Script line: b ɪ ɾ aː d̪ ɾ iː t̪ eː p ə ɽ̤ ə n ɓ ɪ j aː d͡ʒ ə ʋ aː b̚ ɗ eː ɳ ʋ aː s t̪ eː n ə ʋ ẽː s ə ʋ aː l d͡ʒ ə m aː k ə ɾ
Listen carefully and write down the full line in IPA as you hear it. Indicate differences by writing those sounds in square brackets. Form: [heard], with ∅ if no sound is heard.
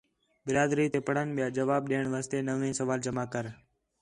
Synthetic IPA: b ɪ ɾ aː d̪ ɾ iː t̪ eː p ə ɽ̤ ə n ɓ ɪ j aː d͡ʒ ə ʋ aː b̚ ɗ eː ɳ ʋ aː s t̪ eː n ə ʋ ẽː s ə ʋ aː l d͡ʒ ə m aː k ə ɾ